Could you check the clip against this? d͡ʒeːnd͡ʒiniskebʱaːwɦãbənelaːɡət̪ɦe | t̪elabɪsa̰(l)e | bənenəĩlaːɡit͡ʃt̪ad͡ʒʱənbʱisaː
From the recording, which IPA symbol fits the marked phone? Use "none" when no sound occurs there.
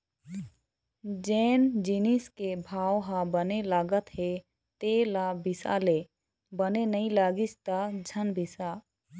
l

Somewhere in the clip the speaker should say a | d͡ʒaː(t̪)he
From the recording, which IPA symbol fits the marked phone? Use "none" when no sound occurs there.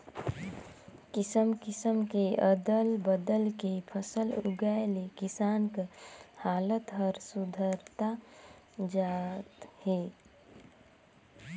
t̪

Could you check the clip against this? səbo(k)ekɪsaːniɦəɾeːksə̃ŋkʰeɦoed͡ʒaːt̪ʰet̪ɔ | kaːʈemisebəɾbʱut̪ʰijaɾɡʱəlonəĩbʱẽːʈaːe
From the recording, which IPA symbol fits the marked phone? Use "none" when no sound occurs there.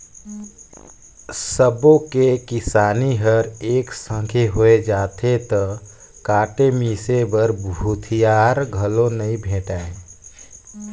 k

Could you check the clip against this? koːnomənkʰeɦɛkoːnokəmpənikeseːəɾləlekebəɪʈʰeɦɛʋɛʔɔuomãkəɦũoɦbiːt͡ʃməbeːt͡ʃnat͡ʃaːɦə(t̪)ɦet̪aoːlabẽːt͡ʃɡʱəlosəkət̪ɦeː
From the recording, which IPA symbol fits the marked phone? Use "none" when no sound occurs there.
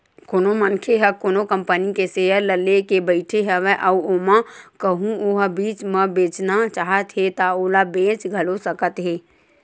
t̪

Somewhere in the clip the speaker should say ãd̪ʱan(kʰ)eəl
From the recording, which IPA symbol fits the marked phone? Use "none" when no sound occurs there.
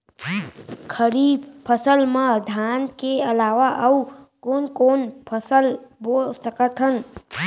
k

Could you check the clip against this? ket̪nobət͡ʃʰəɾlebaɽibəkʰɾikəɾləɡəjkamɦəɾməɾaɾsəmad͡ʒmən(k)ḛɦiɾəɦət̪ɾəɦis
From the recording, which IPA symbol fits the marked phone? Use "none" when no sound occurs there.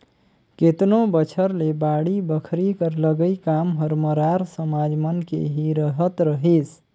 k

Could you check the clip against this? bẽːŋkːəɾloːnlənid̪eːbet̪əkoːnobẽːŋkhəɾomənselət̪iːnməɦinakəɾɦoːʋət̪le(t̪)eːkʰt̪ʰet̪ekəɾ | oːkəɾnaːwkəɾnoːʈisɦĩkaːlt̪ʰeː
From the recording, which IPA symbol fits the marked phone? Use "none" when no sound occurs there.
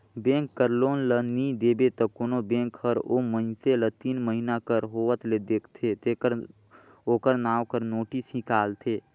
d̪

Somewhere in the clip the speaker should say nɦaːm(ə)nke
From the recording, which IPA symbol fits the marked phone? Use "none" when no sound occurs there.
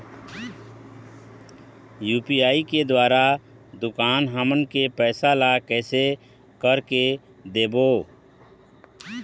ə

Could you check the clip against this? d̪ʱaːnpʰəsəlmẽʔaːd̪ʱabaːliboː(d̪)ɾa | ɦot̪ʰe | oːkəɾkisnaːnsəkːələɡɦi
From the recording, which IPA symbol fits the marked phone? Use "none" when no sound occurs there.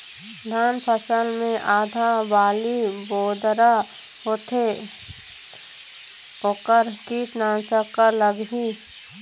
d̪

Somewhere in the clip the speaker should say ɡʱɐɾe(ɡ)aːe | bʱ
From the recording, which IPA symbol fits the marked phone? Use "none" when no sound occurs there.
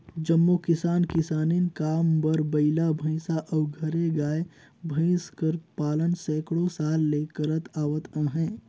ɡ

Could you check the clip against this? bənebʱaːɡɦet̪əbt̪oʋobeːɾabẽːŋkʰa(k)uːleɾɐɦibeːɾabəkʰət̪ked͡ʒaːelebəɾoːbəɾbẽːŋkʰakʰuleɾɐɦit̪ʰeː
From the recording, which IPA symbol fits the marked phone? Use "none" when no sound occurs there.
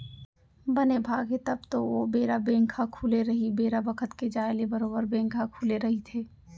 kʰ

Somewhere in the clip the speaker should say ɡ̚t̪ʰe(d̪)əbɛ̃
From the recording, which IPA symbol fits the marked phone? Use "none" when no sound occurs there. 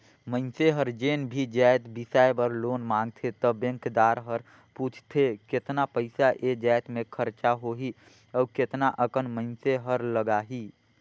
t̪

